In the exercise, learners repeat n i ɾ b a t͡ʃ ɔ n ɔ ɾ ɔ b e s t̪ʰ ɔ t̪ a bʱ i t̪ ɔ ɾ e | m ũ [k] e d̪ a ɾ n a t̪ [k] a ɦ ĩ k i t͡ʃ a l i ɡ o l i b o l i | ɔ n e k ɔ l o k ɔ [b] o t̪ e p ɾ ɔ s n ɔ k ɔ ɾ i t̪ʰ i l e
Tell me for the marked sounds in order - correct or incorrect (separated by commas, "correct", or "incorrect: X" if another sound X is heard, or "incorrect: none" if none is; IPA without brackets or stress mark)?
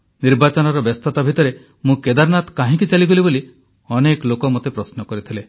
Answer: correct, correct, incorrect: m